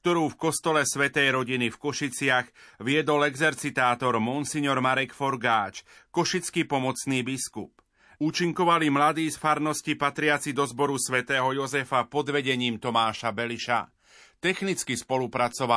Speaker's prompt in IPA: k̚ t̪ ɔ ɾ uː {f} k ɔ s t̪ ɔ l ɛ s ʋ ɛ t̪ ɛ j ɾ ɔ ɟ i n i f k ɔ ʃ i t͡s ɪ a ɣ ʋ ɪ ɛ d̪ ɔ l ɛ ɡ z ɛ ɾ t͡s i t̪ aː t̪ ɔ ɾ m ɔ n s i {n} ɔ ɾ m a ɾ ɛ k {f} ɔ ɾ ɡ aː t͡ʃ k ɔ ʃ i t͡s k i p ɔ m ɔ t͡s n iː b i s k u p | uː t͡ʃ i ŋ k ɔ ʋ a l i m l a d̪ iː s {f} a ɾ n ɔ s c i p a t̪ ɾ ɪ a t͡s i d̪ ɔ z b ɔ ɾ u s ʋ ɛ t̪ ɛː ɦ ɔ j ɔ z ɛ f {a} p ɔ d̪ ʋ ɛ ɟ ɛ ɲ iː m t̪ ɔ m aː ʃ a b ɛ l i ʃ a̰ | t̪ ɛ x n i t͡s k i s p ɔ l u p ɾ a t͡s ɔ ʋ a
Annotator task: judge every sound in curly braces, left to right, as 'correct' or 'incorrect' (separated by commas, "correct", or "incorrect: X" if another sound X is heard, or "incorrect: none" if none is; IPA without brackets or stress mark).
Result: correct, incorrect: ɲ, correct, correct, correct